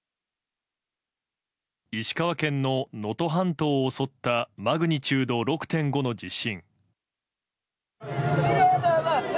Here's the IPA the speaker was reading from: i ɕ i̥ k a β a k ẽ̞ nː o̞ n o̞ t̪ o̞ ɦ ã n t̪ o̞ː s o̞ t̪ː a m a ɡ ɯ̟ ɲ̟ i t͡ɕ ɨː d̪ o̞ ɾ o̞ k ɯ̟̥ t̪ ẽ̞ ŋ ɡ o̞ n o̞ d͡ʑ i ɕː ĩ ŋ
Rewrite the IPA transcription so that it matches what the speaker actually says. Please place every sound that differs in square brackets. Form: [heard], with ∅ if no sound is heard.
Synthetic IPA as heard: i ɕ i̥ k a β a k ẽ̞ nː o̞ n o̞ t̪ o̞ ɦ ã n t̪ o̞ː s o̞ t̪ː a m a ɡ ɯ̟ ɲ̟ i t͡ɕ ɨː d̪ o̞ ɾ o̞ k ɯ̟̥ t̪ ẽ̞ ŋ ɡ o̞ n o̞ d͡ʑ i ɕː ĩ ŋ